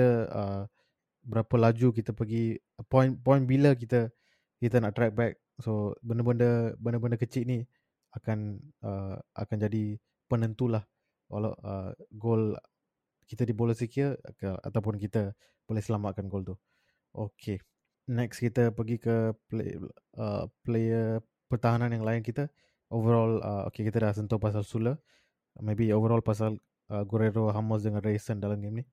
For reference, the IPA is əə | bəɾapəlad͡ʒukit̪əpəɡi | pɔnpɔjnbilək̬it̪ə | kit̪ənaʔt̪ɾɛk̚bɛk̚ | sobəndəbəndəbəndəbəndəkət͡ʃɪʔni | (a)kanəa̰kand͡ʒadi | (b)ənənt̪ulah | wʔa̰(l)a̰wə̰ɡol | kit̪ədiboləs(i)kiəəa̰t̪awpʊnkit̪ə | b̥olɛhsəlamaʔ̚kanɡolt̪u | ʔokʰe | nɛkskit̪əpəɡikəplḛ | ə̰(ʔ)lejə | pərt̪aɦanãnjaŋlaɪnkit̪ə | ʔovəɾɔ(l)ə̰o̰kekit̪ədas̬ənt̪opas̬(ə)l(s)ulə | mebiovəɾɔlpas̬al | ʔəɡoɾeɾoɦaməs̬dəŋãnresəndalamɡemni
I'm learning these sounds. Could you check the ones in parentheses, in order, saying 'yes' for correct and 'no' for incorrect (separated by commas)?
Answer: yes, no, yes, yes, no, yes, no, yes